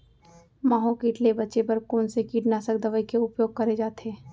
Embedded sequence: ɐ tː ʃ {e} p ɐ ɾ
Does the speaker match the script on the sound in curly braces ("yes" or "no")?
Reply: yes